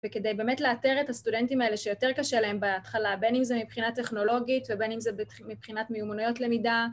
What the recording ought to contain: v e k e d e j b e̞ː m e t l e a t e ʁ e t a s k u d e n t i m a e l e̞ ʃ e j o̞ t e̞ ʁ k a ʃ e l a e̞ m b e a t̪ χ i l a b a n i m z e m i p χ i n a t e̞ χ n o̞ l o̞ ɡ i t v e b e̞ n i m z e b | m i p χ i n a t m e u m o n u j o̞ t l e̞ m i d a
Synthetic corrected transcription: v e k e d e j b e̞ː m e t l e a t e ʁ e t a s t u d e n t i m a e l e̞ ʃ e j o̞ t e̞ ʁ k a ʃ e l a e̞ m b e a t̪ χ a l a b e n i m z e m i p χ i n a t e̞ χ n o̞ l o̞ ɡ i t v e b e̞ n i m z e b | m i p χ i n a t m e u m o n u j o̞ t l e̞ m i d a